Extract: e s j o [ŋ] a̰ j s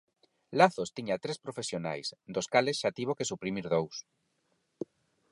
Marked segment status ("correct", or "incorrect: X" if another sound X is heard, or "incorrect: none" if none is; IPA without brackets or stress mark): incorrect: n